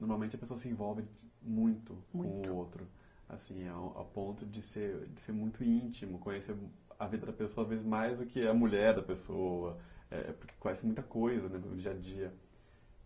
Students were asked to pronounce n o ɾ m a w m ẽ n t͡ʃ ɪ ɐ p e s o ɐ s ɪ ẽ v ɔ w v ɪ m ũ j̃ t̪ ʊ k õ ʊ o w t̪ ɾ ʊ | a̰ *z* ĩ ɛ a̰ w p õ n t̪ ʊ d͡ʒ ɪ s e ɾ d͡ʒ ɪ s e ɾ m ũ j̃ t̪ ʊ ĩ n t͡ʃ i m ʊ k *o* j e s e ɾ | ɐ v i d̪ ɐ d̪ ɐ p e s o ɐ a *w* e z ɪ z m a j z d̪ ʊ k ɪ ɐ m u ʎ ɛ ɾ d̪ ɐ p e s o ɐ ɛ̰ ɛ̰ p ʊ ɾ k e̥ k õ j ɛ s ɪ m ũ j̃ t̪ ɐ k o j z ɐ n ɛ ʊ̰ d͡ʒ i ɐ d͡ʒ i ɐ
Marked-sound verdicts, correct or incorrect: incorrect: s, incorrect: õ, incorrect: v

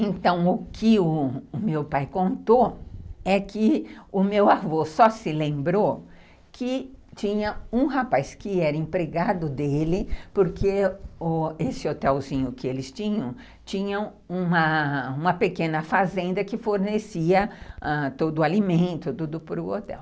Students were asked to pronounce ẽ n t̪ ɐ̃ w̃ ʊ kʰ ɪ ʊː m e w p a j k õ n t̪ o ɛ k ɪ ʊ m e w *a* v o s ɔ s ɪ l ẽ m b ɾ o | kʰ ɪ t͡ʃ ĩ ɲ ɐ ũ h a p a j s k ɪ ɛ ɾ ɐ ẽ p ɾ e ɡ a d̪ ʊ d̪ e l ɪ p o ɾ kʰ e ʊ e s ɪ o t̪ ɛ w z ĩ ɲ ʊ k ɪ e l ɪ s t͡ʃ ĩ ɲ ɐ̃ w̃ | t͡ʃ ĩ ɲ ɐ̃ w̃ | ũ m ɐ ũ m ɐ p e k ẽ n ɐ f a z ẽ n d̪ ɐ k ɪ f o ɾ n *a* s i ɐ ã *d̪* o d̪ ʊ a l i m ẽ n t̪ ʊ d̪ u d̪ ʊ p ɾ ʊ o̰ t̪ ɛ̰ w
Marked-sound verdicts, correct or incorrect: correct, incorrect: e, incorrect: t̪

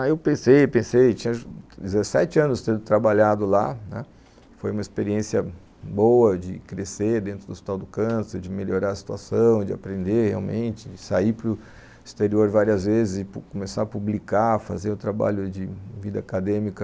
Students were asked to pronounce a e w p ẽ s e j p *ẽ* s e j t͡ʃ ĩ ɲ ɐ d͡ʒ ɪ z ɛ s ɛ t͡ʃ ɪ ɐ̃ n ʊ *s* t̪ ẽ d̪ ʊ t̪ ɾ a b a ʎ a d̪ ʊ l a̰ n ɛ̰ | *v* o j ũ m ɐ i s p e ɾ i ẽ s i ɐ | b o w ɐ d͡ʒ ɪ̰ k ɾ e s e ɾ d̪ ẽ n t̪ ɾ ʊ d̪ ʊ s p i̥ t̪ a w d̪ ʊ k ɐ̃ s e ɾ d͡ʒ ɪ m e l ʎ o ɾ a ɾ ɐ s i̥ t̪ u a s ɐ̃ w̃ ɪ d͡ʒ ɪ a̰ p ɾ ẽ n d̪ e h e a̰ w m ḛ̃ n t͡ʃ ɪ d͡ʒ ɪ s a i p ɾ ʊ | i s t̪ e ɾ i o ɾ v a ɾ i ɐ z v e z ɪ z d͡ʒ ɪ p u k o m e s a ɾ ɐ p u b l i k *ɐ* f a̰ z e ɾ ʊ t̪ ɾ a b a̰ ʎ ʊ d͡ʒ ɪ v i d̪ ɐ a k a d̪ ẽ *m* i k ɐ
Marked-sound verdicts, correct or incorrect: correct, correct, incorrect: f, incorrect: a, correct

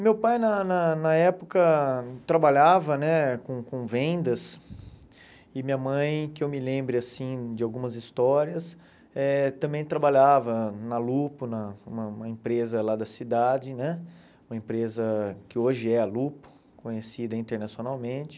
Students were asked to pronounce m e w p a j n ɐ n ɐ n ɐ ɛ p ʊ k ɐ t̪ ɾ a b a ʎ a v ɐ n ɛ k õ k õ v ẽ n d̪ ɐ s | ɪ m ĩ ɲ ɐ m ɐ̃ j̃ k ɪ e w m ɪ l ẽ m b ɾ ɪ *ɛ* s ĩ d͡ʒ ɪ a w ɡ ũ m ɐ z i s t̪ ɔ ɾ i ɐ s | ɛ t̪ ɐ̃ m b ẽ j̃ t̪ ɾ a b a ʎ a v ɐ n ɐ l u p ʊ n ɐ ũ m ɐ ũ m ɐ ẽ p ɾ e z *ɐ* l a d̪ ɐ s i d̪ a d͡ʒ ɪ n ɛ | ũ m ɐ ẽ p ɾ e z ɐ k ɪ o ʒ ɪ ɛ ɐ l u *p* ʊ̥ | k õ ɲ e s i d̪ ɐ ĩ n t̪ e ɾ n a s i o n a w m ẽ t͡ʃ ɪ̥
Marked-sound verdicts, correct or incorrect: incorrect: a, correct, correct

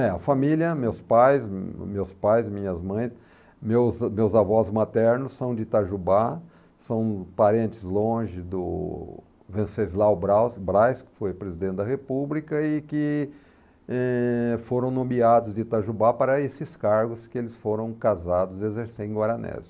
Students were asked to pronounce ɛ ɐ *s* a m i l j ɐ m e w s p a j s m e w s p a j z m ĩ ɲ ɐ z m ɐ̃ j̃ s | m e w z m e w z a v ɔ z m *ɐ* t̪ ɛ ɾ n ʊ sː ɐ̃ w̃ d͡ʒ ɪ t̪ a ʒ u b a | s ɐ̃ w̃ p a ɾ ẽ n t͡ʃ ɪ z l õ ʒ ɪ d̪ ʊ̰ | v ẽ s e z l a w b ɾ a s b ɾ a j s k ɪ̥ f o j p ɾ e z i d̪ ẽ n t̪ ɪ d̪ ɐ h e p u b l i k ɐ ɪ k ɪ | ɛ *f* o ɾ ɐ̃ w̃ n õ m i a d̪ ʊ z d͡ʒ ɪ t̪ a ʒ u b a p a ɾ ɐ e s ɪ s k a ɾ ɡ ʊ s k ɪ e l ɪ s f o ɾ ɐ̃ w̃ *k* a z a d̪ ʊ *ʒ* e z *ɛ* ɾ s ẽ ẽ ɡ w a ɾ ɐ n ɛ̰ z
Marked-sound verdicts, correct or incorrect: incorrect: f, incorrect: a, correct, correct, incorrect: z, incorrect: e

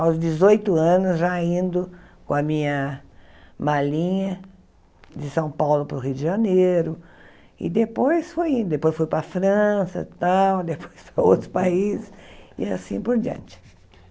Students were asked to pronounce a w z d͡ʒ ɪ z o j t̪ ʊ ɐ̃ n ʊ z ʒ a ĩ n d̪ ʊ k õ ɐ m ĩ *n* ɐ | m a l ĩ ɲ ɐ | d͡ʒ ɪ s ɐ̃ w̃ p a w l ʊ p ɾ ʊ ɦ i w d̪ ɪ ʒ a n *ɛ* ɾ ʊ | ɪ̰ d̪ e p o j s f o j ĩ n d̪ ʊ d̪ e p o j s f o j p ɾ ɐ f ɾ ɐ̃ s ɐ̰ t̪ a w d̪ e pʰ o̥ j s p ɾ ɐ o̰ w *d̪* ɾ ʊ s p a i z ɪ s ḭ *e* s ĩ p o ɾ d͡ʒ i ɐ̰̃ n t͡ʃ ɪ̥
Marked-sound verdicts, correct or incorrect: incorrect: ɲ, incorrect: e, incorrect: t̪, incorrect: a

